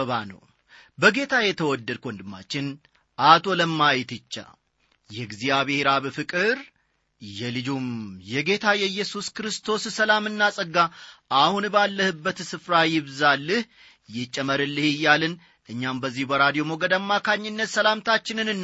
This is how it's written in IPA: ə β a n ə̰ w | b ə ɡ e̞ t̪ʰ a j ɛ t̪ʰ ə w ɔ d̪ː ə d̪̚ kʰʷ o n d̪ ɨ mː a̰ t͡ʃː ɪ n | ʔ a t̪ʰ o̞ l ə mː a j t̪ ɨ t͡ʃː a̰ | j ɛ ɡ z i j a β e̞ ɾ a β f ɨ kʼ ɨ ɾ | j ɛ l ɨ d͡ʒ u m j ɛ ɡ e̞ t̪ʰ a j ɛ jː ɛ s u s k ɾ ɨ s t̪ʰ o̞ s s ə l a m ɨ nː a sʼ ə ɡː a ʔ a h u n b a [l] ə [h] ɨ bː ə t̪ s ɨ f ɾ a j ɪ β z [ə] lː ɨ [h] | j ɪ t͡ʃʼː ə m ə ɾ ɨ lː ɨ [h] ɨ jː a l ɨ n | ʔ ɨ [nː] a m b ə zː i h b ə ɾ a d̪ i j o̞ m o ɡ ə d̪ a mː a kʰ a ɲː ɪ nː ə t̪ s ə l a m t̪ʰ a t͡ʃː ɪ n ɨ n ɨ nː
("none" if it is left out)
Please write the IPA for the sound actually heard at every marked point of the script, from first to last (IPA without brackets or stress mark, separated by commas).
lː, h, a, h, h, ɲː